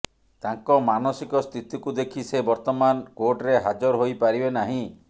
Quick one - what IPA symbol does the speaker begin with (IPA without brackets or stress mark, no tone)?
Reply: t̪